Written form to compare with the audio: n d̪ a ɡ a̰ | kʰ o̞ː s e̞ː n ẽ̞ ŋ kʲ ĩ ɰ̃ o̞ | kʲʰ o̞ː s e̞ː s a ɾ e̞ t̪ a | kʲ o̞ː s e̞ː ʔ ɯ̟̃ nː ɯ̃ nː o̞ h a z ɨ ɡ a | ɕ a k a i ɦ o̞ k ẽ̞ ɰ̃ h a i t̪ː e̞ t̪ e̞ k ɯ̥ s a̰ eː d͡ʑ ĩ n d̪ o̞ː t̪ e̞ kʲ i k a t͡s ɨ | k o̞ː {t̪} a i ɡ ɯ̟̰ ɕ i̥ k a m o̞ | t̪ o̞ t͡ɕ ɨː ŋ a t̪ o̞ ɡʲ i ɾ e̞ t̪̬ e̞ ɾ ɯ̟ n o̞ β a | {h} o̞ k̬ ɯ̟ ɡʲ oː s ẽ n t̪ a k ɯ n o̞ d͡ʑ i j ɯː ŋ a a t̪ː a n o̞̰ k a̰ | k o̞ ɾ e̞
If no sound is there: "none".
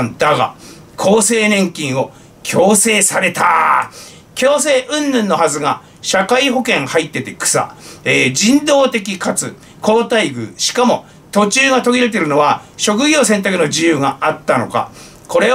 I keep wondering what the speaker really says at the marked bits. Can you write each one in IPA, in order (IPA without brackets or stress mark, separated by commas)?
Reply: t̪, ɕ